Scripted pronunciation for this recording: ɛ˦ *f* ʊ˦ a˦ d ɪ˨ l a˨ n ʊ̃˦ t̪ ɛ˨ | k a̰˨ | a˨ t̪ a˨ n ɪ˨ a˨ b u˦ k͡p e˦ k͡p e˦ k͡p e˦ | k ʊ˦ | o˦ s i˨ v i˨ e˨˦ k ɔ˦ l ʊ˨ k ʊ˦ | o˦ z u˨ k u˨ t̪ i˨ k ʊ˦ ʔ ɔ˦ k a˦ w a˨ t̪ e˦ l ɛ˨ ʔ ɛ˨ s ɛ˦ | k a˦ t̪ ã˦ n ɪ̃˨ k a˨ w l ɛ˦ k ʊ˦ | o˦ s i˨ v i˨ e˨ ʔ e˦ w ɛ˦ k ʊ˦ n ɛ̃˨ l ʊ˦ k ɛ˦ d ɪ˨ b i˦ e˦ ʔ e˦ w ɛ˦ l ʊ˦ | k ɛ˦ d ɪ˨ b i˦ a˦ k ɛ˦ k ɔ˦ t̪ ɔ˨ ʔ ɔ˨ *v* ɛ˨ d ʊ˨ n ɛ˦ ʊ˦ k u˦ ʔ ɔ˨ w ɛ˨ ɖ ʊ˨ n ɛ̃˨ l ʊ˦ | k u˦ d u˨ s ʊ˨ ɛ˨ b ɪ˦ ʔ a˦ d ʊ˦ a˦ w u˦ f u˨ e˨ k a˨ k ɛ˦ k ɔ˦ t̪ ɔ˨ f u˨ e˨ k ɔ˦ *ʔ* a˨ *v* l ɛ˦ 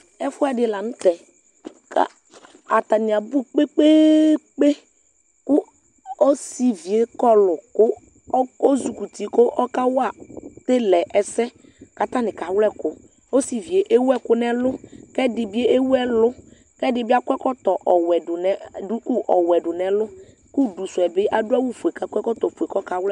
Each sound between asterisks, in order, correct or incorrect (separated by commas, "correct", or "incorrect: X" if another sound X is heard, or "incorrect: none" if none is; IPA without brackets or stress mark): correct, incorrect: w, incorrect: k, incorrect: w